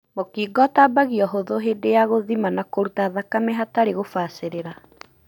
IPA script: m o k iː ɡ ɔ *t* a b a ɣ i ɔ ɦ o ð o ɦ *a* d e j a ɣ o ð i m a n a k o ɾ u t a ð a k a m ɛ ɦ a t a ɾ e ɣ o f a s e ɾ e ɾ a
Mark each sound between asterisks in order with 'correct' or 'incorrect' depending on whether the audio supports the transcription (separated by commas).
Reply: correct, incorrect